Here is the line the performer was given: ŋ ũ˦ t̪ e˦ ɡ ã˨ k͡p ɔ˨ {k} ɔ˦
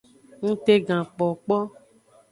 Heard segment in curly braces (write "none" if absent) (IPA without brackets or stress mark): k͡p